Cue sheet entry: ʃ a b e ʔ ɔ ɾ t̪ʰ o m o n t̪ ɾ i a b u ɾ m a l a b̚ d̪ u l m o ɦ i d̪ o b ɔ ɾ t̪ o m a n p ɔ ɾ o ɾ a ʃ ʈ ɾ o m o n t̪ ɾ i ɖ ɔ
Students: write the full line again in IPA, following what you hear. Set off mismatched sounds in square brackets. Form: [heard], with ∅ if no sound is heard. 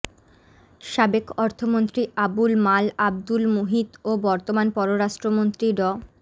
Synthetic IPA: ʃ a b e [k] ɔ ɾ t̪ʰ o m o n t̪ ɾ i a b u [l] m a l a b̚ d̪ u l m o ɦ i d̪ o b ɔ ɾ t̪ o m a n p ɔ ɾ o ɾ a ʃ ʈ ɾ o m o n t̪ ɾ i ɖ ɔ